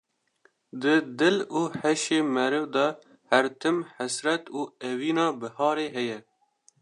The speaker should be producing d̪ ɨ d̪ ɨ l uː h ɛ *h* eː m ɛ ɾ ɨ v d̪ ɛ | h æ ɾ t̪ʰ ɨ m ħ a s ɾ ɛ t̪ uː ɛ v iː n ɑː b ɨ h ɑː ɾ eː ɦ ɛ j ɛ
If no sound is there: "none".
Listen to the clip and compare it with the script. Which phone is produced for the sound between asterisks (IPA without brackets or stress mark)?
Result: ʃ